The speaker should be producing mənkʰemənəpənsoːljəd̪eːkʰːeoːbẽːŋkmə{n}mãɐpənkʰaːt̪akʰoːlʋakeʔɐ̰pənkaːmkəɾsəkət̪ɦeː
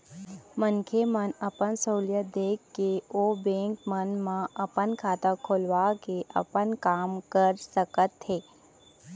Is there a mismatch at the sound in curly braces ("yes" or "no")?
no